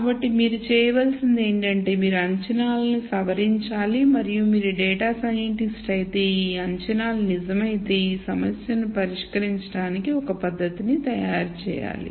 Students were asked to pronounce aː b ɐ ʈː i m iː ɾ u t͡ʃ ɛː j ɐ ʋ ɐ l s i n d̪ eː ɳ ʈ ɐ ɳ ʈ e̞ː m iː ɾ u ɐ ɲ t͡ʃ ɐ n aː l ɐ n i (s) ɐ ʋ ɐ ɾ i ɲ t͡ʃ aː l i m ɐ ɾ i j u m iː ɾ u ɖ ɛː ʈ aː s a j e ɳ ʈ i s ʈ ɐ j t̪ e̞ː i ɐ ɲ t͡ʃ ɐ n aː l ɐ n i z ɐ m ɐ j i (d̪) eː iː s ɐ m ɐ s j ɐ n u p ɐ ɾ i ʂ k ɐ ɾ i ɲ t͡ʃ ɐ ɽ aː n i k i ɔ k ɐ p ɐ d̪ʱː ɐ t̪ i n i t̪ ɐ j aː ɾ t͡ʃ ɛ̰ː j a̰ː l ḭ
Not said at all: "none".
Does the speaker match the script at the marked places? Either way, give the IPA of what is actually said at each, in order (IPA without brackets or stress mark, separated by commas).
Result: s, t̪